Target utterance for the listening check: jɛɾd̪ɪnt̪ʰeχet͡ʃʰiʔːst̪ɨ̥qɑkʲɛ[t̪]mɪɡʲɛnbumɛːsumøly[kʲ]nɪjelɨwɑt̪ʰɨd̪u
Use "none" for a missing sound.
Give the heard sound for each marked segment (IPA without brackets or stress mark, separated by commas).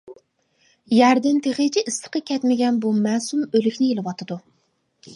t̪, kʲ